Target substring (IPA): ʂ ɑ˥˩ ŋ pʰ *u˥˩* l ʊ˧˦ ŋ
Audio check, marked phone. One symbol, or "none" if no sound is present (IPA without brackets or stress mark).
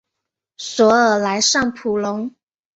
u˨˩